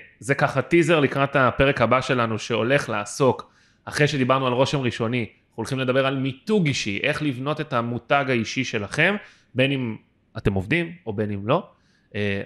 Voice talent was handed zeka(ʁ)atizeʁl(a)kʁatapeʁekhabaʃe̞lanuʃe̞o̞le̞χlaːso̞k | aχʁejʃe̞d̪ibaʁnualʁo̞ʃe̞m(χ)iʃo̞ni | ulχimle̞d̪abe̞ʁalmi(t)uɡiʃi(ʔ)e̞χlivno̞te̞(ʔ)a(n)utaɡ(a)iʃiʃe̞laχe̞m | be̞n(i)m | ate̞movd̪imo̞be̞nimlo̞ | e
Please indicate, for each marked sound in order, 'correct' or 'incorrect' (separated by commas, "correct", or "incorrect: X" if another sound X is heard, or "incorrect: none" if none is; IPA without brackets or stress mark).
incorrect: χ, incorrect: i, incorrect: ʁ, correct, correct, incorrect: t, incorrect: m, correct, correct